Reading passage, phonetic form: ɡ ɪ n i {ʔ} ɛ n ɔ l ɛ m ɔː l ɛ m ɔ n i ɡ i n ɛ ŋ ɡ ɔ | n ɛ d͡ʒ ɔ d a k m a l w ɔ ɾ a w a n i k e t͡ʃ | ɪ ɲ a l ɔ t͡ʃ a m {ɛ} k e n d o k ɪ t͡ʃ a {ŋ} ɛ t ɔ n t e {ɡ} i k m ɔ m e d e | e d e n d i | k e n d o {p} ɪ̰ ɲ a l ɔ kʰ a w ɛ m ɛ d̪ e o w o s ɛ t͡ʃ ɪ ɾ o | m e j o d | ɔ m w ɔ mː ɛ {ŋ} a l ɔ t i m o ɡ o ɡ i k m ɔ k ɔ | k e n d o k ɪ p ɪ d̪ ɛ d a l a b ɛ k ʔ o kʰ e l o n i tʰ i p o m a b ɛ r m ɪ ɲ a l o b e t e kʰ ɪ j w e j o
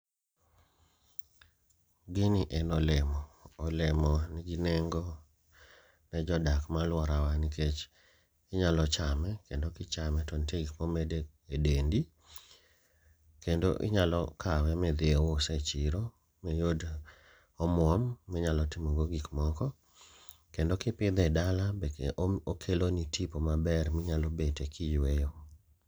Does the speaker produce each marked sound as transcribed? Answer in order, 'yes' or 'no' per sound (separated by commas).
yes, yes, no, yes, no, no